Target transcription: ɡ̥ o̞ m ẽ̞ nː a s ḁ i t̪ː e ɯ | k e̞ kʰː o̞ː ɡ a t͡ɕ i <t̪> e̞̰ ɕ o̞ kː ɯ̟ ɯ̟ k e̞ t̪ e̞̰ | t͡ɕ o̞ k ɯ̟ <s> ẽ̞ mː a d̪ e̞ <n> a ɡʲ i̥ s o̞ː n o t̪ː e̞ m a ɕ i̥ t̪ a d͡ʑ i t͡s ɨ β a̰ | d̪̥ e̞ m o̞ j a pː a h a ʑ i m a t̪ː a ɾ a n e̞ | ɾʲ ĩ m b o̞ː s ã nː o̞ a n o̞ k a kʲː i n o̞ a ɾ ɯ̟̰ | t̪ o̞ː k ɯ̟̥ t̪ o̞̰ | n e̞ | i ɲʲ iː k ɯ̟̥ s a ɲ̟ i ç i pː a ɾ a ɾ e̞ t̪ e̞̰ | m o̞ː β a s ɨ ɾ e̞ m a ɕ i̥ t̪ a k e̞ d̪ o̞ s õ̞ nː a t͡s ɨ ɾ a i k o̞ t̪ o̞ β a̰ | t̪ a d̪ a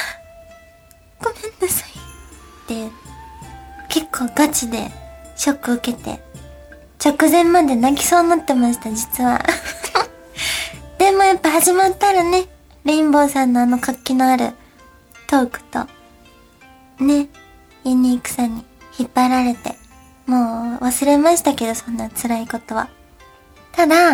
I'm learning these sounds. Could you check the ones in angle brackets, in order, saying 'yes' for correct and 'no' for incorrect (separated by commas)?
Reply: no, no, yes